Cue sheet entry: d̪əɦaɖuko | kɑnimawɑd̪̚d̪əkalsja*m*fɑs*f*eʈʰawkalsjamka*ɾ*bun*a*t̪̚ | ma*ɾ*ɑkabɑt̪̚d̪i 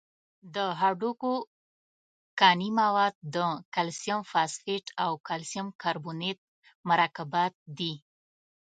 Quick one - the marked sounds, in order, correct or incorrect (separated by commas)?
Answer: correct, correct, correct, incorrect, correct